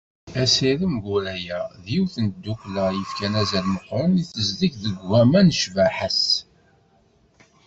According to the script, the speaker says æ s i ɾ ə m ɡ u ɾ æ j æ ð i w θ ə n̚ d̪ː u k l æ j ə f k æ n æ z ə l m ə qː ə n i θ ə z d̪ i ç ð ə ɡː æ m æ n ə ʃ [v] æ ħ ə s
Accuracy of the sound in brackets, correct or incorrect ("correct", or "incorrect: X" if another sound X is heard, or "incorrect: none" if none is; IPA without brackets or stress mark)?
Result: correct